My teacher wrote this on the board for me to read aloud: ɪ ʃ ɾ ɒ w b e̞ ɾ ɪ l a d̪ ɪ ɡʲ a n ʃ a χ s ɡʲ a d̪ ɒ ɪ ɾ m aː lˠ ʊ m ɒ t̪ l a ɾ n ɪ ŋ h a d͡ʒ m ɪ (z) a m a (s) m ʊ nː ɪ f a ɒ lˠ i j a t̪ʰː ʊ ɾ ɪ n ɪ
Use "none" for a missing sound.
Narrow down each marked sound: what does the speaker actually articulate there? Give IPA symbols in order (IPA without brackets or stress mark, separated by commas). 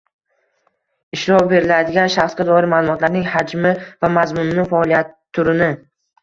v, z